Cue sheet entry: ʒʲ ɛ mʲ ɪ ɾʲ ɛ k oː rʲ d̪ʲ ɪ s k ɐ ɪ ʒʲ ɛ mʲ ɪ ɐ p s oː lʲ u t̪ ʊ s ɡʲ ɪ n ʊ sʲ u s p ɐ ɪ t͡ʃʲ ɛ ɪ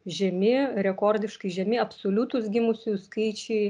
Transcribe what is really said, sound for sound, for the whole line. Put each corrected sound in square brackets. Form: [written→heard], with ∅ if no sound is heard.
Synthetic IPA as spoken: ʒʲ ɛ mʲ ɪ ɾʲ ɛ k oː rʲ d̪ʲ ɪ [s→ʃ] k ɐ ɪ ʒʲ ɛ mʲ ɪ ɐ p s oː lʲ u t̪ ʊ s ɡʲ ɪ [n→m] ʊ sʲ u s [p→k] ɐ ɪ t͡ʃʲ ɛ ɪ